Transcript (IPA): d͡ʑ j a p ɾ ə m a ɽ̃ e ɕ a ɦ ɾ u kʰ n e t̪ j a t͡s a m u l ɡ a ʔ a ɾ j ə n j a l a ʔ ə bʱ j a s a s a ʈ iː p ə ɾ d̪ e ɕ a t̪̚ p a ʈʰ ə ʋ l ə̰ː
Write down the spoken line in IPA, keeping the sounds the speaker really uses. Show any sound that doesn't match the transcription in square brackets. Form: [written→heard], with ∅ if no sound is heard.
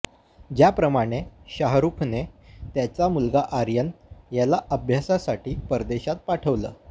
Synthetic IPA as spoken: d͡ʑ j a p ɾ ə m a ɽ̃ e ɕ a ɦ ɾ u kʰ n e t̪ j a t͡s a m u l ɡ a ʔ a ɾ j ə n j a l a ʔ ə bʱ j a s a s a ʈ iː p ə ɾ d̪ e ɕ a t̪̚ p a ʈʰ ə ʋ l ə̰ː